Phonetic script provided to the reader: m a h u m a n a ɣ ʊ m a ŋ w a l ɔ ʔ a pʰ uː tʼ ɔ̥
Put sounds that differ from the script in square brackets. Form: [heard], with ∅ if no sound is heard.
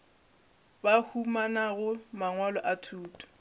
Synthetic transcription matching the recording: [b] a h u m a n a ɣ ʊ m a ŋ w a l ɔ ʔ a [tʰ] uː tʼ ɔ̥